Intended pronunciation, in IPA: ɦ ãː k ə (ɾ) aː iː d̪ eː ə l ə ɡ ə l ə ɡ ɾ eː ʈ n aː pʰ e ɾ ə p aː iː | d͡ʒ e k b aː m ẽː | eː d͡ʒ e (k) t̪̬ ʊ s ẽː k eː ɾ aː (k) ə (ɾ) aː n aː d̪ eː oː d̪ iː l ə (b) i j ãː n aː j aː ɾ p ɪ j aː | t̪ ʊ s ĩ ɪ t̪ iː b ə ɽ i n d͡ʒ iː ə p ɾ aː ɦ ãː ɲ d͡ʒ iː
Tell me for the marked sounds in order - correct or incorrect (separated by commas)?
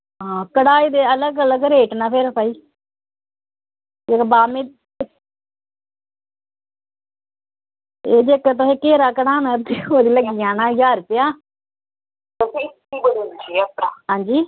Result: incorrect, correct, correct, incorrect, incorrect